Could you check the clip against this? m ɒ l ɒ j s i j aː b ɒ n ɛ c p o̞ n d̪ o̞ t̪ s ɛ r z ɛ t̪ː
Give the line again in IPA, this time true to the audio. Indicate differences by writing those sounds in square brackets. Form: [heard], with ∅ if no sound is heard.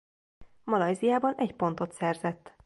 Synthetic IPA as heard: m ɒ l ɒ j [z] i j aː b ɒ n ɛ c p o̞ n [t̪] o̞ t̪ s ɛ r z ɛ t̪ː